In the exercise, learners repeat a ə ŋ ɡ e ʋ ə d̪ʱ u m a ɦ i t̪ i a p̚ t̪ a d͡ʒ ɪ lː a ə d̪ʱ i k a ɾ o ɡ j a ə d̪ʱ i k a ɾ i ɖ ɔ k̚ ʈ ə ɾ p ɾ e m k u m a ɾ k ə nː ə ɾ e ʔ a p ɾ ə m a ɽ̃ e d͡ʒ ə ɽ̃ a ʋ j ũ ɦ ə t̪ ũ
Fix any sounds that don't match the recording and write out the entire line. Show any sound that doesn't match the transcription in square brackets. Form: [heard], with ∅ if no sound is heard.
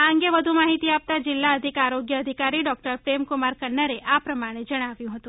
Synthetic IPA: a ə ŋ ɡ e ʋ ə d̪ʱ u m a ɦ i t̪ i a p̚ t̪ a d͡ʒ ɪ lː a ə d̪ʱ i k a ɾ o ɡ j [ə] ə d̪ʱ i k a ɾ i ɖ ɔ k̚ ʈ ə ɾ p ɾ e m k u m a ɾ k ə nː ə ɾ e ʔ a p ɾ ə m a ɽ̃ e d͡ʒ ə ɽ̃ a ʋ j ũ ɦ ə t̪ ũ

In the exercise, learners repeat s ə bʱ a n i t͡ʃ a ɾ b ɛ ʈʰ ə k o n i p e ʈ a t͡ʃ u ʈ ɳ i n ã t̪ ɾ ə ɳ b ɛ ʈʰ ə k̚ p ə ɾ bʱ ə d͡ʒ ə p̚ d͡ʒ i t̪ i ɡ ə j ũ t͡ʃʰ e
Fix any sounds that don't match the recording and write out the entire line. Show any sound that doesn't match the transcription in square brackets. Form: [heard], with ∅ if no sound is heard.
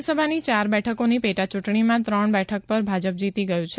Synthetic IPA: s ə bʱ a n i t͡ʃ a ɾ b ɛ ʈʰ ə k o n i p e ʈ a t͡ʃ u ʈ ɳ i [m] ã t̪ ɾ ə ɳ b ɛ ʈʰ ə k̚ p ə ɾ bʱ [a] d͡ʒ ə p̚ d͡ʒ i t̪ i ɡ ə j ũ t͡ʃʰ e

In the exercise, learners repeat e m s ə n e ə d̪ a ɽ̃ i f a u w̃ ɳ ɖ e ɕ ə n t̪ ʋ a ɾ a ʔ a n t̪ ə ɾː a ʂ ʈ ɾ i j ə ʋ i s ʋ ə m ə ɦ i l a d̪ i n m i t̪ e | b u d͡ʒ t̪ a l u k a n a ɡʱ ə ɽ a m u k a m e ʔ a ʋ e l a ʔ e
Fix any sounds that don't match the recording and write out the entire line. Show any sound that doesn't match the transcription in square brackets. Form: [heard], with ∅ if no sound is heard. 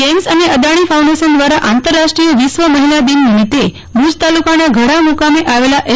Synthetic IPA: e m s ə n e ə d̪ a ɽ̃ i f a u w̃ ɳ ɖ e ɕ ə n [d̪] ʋ a ɾ a ʔ a n t̪ ə ɾː a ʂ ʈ ɾ i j ə ʋ i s ʋ ə m ə ɦ i l a d̪ i n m i t̪ e | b u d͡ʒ t̪ a l u k a n a ɡʱ ə ɽ a m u k a m e ʔ a ʋ e l a ʔ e

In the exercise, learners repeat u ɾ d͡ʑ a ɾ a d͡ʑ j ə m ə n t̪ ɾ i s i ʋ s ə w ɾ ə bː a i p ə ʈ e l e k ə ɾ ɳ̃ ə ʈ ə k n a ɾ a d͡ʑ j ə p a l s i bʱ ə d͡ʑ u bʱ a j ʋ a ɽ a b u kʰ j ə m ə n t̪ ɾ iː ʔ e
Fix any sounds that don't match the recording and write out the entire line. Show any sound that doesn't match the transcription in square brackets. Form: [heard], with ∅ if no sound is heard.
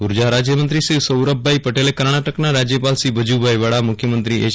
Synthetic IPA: u ɾ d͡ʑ a ɾ a d͡ʑ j ə m ə n t̪ ɾ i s i ʋ s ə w ɾ ə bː a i p ə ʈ e l e k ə ɾ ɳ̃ [a] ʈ ə k n a ɾ a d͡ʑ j ə p a l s i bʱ ə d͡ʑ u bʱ a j ʋ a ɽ a [m] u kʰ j ə m ə n t̪ ɾ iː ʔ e

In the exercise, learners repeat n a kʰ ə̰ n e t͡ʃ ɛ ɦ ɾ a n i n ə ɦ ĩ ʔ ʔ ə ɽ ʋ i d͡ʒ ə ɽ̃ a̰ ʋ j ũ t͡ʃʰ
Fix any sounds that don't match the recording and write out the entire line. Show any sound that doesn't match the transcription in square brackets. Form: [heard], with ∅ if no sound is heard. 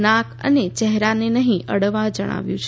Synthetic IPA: n a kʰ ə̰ n e t͡ʃ ɛ ɦ ɾ a n [e] n ə ɦ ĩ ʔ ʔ ə ɽ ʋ [a] d͡ʒ ə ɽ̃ a̰ ʋ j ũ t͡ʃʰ

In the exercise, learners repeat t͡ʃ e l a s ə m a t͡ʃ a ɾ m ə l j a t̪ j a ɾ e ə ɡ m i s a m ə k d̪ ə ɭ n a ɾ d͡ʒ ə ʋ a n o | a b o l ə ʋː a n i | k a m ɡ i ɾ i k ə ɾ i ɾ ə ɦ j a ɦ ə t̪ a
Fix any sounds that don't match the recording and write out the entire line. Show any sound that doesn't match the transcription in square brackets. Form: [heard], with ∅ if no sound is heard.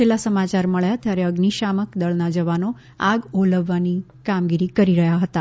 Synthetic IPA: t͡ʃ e l a s ə m a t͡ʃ a ɾ m ə [ɭ] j a t̪ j a ɾ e ə ɡ [n] i [ʃ] a m ə k d̪ ə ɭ n a [∅] d͡ʒ ə ʋ a n o | a [ɡ] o l ə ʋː a n i | k a m ɡ i ɾ i k ə ɾ i ɾ ə ɦ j a ɦ ə t̪ a

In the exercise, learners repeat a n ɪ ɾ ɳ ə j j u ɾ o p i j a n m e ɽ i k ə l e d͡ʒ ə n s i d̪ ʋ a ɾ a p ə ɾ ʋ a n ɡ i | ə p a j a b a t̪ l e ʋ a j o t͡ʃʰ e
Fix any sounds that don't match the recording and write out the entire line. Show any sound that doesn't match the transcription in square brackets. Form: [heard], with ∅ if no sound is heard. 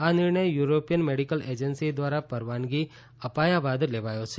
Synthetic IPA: a n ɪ ɾ ɳ ə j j u ɾ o p i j [ə] n m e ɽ i k ə l e d͡ʒ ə n s i d̪ ʋ a ɾ a p ə ɾ ʋ a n ɡ i | ə p a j a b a [d̪] l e ʋ a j o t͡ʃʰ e

